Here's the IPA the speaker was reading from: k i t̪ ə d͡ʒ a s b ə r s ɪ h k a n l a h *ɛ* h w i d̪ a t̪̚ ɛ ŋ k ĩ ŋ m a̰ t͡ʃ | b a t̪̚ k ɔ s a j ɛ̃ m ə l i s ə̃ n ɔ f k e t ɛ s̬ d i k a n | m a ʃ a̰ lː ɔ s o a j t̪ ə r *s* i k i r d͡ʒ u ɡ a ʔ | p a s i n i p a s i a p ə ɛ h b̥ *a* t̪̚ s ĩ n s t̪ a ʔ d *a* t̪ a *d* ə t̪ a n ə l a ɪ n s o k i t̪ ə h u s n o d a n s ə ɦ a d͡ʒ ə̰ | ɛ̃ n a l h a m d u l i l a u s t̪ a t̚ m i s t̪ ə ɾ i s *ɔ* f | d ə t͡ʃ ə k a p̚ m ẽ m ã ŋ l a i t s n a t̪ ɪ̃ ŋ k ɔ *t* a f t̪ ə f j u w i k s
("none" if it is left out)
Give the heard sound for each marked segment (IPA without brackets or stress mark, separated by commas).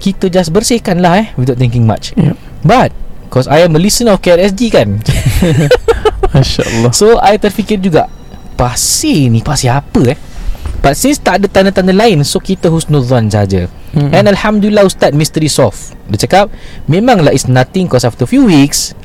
ɛ, f, a, ə, n, ɔ, s